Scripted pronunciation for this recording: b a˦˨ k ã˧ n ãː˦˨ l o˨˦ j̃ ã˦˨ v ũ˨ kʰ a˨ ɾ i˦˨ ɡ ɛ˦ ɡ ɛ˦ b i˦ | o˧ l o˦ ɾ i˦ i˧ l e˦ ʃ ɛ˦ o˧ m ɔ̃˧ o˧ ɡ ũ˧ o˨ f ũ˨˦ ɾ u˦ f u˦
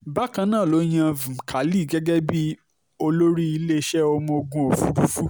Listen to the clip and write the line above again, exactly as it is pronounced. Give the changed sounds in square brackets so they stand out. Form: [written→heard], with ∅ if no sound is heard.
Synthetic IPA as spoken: b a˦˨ k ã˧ n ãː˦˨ l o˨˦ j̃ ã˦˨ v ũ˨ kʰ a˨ [ɾ→l] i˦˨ ɡ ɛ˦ ɡ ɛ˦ b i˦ | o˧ l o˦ ɾ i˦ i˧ l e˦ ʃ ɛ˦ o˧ m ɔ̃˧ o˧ ɡ ũ˧ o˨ f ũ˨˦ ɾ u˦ f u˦